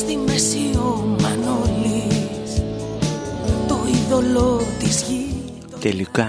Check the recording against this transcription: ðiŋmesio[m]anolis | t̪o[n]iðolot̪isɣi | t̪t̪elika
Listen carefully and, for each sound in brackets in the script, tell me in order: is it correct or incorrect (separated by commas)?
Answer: correct, incorrect